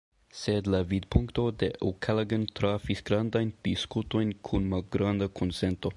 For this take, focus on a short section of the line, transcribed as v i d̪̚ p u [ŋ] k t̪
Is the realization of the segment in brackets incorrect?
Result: no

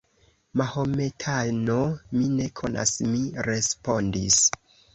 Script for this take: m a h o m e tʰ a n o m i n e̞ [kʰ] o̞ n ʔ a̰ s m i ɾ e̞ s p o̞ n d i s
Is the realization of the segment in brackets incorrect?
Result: no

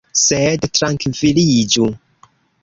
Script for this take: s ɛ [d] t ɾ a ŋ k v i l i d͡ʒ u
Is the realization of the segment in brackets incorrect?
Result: no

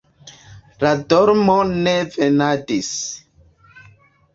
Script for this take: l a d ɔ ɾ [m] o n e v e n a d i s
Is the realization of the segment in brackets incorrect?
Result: no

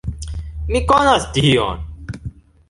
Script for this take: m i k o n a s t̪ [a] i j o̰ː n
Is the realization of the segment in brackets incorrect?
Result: yes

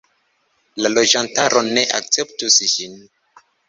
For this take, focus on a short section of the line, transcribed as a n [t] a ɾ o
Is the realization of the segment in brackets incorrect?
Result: no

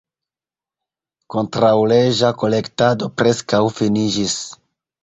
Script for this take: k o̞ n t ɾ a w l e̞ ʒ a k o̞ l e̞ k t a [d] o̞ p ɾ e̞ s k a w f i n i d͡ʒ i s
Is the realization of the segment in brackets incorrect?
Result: no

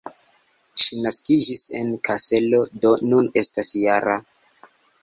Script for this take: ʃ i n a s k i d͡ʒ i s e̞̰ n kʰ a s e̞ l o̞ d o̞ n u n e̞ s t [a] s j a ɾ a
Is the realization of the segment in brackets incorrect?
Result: no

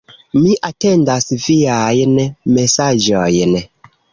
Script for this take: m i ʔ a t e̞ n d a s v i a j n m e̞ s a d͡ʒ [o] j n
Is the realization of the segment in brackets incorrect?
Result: no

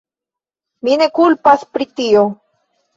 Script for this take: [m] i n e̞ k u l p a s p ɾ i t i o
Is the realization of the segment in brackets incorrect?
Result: no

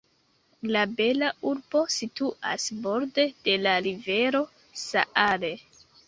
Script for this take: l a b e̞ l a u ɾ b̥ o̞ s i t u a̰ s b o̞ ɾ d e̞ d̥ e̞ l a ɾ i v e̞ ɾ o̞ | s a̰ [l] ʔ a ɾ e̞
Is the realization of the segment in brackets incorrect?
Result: yes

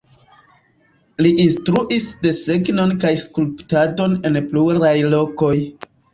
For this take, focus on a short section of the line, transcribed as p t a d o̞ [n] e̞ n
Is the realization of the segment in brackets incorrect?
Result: no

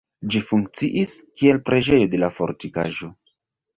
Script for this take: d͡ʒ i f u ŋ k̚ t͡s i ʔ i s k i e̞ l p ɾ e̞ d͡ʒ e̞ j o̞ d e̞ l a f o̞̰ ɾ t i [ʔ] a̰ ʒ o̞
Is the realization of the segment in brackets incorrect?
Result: yes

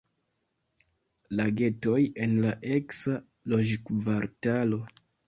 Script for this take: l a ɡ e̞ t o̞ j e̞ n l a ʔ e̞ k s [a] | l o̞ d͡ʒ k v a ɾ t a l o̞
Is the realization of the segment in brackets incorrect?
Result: no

